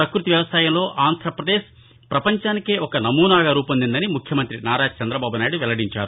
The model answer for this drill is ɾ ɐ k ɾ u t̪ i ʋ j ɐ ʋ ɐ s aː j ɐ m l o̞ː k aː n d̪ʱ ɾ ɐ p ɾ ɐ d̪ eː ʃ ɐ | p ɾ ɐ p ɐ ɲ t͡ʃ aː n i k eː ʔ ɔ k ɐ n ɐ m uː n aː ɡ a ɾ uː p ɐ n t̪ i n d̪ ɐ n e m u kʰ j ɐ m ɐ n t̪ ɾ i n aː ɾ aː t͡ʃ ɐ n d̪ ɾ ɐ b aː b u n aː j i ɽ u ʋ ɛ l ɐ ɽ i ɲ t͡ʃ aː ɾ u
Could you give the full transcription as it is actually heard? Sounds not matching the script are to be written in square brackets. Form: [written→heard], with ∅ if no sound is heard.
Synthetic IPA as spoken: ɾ ɐ k ɾ u t̪ i ʋ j ɐ ʋ ɐ s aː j ɐ m l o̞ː [k→ʔ] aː n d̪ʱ ɾ ɐ p ɾ ɐ d̪ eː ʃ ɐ | p ɾ ɐ p ɐ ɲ t͡ʃ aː n i k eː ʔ ɔ k ɐ n ɐ m uː n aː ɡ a ɾ uː p ɐ n [t̪→d̪] i n d̪ ɐ n [e→i] m u kʰ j ɐ m ɐ n t̪ ɾ i n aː ɾ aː t͡ʃ ɐ n d̪ ɾ ɐ b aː b u n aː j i ɽ u ʋ ɛ l ɐ ɽ i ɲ t͡ʃ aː ɾ u